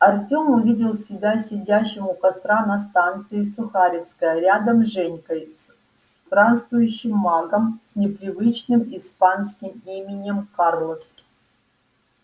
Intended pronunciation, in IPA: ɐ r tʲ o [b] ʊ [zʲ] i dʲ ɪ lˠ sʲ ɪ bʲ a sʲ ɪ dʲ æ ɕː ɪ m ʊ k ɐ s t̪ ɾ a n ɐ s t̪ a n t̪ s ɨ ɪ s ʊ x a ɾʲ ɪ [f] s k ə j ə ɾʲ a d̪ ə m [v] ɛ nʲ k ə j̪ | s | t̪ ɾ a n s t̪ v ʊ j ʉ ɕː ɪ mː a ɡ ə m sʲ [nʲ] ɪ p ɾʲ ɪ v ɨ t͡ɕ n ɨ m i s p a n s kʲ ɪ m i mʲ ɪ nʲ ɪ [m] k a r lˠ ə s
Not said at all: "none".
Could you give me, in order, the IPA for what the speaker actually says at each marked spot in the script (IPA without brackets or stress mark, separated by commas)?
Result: m, vʲ, f, ʐ, nʲ, m